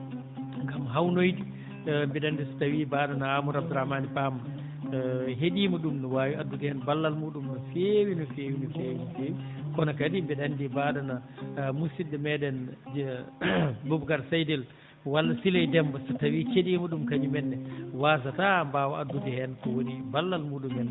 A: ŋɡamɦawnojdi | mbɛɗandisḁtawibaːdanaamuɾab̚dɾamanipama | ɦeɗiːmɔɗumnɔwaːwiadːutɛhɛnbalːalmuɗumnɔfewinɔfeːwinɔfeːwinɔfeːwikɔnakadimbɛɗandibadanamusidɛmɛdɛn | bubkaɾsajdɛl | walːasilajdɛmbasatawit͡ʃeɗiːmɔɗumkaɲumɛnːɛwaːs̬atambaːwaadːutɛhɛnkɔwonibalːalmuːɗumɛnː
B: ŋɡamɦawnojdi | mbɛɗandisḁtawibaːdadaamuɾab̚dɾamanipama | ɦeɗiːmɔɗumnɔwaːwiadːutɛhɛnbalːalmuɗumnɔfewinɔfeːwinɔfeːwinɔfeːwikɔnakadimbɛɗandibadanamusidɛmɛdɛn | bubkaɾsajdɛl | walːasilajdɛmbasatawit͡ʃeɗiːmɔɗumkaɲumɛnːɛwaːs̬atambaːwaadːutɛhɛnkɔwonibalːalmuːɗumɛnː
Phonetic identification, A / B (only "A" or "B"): A